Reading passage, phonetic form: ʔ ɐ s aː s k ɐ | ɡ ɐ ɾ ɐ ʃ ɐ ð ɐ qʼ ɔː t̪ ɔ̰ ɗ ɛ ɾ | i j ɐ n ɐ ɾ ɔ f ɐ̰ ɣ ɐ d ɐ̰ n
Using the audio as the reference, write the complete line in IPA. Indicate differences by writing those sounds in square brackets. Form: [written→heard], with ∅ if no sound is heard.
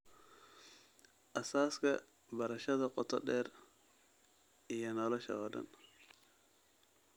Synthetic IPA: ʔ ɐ s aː s k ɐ | [ɡ→b] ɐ ɾ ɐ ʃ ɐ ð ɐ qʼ [ɔː→ɔ] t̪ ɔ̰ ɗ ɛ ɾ | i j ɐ n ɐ [ɾ→l] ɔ [f→ʃ] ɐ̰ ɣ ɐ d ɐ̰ n